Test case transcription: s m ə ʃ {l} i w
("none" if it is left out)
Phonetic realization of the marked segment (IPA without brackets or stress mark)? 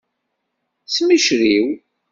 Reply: ɾ